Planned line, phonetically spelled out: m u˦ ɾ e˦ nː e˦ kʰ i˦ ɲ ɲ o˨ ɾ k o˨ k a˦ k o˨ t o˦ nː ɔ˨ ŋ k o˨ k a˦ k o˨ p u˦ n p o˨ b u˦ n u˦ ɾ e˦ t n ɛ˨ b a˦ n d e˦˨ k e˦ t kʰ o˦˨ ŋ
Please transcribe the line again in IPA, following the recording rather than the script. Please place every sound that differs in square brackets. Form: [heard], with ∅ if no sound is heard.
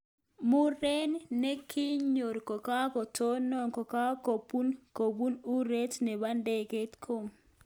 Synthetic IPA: m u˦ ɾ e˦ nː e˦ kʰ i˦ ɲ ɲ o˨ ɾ k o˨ k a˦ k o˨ t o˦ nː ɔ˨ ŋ k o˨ k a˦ k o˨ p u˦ n [k] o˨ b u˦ n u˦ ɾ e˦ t n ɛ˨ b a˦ n d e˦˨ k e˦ t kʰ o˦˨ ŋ